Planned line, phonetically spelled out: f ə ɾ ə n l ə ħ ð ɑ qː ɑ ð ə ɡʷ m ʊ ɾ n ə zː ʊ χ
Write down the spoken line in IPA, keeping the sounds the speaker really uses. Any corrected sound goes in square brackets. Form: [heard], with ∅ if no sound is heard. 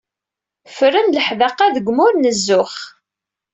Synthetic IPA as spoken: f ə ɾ ə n l ə ħ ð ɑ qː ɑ ð ə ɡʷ m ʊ ɾ n ə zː ʊ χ